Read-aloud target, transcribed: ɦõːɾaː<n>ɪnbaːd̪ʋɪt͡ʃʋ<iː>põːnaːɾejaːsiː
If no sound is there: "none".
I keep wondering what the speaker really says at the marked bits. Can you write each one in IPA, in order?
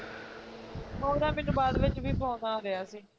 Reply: m, iː

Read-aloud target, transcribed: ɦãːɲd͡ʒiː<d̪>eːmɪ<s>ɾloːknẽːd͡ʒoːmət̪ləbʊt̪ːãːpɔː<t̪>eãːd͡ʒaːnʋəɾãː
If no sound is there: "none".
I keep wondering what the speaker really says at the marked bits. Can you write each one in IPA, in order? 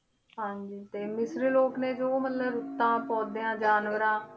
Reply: t̪, s, d̪

